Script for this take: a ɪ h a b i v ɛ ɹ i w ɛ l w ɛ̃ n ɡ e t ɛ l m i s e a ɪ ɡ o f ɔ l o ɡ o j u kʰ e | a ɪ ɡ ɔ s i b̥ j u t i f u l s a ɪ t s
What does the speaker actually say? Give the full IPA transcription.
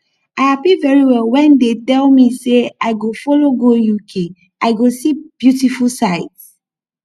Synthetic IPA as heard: a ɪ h a p i v ɛ ɹ i w ɛ l w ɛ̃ n d e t ɛ l m i s e a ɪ ɡ o f ɔ l o ɡ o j u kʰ e | a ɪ ɡ o s i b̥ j u t i f u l s a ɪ t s

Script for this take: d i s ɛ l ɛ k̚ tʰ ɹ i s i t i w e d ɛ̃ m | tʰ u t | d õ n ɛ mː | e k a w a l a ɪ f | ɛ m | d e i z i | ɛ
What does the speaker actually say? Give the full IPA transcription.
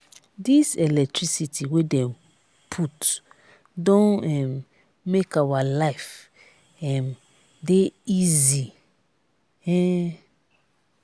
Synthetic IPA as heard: d i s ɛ l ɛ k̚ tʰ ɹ i s i t i w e d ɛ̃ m | pʰ u t | d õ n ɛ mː | e k a w a l a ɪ f | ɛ m | d e i z i | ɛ

